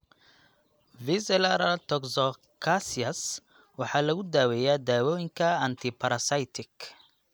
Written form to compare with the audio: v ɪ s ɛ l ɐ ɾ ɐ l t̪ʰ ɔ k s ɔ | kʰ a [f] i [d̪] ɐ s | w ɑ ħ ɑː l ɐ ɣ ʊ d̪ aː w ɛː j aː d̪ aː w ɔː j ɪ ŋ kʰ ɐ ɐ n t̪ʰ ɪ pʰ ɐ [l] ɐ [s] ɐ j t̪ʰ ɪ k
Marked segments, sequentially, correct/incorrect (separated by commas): incorrect, incorrect, incorrect, correct